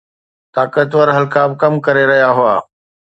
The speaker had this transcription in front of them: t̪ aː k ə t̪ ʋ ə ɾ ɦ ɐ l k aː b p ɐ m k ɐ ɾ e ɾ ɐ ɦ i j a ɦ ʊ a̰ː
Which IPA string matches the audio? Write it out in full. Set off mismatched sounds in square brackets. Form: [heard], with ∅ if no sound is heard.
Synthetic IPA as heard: t̪ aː k ə t̪ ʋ ə ɾ ɦ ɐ l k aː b [k] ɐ m k ɐ ɾ e ɾ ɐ ɦ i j a ɦ ʊ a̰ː